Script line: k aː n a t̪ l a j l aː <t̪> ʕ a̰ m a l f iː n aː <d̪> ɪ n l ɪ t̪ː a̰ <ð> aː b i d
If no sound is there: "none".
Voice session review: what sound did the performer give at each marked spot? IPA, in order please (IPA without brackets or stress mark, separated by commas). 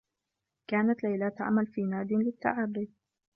t̪, d̪, ʕ